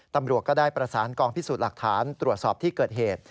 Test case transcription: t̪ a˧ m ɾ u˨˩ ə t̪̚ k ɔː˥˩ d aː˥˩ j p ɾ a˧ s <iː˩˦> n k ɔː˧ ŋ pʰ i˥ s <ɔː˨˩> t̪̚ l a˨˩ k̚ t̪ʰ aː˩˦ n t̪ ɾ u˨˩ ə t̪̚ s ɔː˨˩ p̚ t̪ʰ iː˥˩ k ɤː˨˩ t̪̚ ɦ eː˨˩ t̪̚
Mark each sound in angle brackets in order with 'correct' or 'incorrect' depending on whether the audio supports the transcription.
incorrect: aː˩˦, incorrect: uː˨˩

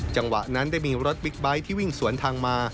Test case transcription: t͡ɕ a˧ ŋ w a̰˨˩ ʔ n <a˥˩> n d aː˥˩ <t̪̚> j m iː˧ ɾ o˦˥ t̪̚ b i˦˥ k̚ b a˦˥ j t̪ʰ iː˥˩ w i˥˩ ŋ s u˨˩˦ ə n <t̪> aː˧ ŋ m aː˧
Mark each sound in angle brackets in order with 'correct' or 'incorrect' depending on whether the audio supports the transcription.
incorrect: a˦˥, incorrect: none, incorrect: t̪ʰ

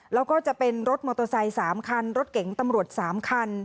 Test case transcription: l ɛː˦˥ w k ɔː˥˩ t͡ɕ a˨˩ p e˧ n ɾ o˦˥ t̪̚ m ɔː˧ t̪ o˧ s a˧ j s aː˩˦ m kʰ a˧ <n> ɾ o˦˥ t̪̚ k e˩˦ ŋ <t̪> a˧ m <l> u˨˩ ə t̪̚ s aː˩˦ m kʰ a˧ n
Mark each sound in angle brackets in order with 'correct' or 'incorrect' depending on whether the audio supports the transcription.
correct, correct, incorrect: ɾ

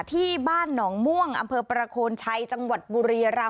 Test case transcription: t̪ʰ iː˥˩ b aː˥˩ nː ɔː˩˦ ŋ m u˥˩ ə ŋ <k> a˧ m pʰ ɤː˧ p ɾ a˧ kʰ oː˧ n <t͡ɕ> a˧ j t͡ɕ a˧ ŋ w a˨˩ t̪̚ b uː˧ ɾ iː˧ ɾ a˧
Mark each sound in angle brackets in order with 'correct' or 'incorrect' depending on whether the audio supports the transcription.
incorrect: ʔ, incorrect: t͡ɕʰ

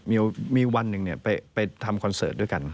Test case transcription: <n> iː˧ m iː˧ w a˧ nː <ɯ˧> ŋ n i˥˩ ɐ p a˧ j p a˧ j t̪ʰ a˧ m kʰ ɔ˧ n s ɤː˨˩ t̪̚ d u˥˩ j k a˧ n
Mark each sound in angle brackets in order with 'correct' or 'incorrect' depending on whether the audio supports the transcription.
incorrect: m, incorrect: ɯ˨˩

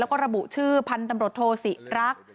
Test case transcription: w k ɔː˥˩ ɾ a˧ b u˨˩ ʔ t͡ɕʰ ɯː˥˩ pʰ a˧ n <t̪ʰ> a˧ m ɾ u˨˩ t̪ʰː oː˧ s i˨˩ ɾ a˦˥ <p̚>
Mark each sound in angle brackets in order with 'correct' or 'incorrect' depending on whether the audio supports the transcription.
incorrect: t̪, incorrect: k̚

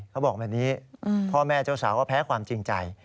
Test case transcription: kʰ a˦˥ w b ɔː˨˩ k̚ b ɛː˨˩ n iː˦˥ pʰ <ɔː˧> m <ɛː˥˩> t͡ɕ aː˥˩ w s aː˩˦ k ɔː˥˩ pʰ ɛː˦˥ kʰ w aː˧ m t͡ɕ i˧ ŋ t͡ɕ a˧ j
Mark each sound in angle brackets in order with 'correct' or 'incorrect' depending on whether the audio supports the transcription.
incorrect: ɔː˥˩, correct

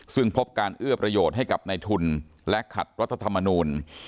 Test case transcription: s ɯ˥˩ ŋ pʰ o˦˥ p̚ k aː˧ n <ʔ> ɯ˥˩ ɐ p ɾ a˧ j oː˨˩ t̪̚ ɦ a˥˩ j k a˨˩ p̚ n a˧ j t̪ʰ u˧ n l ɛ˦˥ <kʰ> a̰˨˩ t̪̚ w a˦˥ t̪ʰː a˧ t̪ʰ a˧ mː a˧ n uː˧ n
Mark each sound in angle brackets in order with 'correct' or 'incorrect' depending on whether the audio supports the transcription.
correct, correct

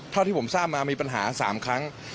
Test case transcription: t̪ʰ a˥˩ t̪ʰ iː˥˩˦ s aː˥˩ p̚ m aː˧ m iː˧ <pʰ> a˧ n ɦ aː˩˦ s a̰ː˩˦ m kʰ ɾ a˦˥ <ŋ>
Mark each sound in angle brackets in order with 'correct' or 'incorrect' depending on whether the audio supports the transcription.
incorrect: p, correct

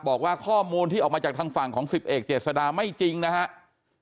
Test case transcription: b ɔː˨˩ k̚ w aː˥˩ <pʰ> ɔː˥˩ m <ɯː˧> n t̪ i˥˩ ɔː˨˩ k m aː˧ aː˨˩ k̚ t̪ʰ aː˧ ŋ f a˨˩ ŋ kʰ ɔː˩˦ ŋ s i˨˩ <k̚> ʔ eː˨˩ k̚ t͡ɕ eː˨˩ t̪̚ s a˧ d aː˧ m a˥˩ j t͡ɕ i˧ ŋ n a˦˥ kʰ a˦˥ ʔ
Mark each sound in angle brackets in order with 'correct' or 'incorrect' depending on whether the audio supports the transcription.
incorrect: kʰ, incorrect: uː˧, incorrect: p̚

